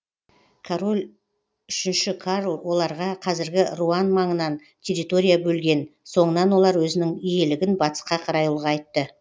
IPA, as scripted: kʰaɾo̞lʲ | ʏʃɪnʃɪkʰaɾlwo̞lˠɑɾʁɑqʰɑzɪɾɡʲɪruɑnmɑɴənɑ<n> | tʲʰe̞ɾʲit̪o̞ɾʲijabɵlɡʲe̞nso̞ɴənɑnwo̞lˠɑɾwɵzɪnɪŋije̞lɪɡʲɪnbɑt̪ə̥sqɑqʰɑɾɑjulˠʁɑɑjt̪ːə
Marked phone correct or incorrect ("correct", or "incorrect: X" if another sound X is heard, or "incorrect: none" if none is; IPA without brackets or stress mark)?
correct